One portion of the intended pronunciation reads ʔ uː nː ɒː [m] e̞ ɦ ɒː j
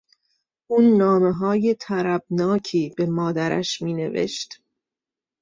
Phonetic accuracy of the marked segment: correct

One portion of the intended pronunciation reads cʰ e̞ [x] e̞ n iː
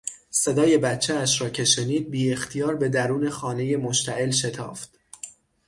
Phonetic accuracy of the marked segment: incorrect: ʃ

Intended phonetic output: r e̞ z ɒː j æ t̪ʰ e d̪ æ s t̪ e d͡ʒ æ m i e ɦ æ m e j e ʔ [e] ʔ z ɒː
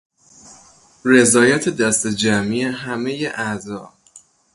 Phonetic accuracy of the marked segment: incorrect: æ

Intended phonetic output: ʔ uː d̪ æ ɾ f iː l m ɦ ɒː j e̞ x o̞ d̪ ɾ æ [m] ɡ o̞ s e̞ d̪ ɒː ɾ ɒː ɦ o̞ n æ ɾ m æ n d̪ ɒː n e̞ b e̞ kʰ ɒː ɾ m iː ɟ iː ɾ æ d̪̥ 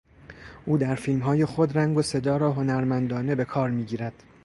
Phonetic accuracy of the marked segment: incorrect: ŋ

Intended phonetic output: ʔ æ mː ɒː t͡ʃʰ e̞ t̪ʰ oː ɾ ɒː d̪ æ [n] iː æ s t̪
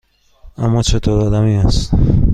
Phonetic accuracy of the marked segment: incorrect: m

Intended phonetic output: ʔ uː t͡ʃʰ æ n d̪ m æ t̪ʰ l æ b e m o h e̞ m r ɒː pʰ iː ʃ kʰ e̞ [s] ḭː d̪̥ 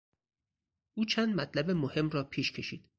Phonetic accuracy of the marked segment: incorrect: ʃ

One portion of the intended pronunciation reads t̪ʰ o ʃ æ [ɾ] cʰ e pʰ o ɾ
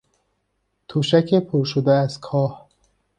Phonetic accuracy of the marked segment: incorrect: none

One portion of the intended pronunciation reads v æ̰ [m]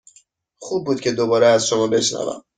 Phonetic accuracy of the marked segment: correct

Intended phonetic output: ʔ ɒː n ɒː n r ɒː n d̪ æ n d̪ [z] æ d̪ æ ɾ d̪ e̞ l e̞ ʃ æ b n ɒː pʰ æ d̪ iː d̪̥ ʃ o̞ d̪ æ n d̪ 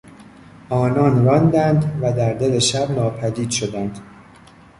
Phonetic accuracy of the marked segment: incorrect: v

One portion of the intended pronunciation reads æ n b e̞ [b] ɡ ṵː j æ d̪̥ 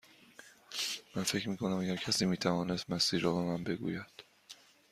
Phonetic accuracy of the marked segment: incorrect: none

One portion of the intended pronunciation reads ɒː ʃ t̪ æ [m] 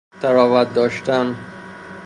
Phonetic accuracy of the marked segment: incorrect: n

